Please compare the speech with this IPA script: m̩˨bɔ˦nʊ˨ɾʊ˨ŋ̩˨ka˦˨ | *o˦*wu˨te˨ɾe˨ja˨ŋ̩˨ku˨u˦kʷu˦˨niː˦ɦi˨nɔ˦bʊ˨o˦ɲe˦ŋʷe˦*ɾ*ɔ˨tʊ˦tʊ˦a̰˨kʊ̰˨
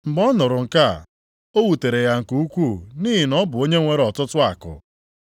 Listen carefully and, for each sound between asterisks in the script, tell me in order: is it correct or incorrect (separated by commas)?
correct, correct